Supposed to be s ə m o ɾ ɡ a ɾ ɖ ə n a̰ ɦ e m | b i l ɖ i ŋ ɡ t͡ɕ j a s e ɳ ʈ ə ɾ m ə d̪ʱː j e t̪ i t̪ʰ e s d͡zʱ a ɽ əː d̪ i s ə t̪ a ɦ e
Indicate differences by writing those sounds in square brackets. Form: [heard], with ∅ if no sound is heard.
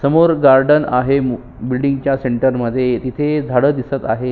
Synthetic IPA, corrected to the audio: s ə m o ɾ ɡ a ɾ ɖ ə n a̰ ɦ e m | b i l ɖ i ŋ ɡ t͡ɕ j a s e ɳ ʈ ə ɾ m ə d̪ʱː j e t̪ i t̪ʰ e [∅] d͡zʱ a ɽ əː d̪ i s ə t̪ a ɦ e